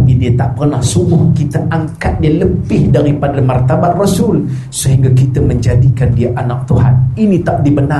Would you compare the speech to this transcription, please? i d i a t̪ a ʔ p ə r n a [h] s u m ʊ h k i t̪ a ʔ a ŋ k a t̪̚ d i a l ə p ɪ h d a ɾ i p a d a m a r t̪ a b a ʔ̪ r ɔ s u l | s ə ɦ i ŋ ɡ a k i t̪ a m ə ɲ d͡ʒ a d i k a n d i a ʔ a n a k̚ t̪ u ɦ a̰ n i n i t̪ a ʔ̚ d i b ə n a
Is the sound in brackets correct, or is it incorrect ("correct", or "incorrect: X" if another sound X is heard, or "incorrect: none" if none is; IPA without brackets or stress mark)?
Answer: correct